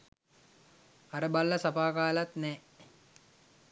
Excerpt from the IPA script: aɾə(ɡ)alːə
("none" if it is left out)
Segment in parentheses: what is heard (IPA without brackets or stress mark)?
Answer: b